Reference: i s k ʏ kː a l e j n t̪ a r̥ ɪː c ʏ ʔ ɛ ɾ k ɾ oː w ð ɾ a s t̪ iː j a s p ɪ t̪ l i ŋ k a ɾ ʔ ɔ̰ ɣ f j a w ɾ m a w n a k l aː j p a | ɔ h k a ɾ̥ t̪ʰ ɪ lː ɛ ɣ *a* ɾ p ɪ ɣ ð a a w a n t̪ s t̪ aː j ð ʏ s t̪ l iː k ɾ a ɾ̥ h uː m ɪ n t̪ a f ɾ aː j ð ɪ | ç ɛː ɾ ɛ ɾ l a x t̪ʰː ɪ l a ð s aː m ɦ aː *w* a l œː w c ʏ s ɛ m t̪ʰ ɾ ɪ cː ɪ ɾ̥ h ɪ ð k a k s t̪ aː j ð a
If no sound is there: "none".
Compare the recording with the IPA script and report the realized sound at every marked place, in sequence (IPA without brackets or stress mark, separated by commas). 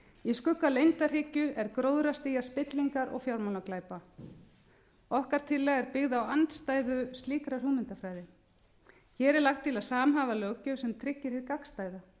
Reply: ɛ, v